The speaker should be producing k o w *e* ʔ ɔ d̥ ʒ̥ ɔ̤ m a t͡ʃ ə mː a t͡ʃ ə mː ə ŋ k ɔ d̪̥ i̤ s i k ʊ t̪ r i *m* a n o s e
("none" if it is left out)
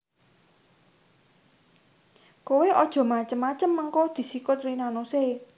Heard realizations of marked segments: e, n

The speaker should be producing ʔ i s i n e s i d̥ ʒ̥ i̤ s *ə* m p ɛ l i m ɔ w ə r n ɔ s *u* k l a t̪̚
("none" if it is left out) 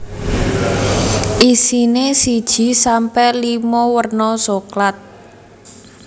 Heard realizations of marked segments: a, o

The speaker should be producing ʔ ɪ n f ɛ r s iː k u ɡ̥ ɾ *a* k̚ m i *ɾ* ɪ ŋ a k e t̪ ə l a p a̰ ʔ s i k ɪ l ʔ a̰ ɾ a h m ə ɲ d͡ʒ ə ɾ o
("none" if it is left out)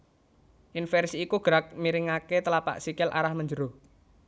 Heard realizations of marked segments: a, ɾ

